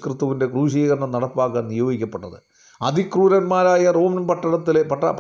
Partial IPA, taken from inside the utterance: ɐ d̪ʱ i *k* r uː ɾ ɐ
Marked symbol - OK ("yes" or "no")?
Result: yes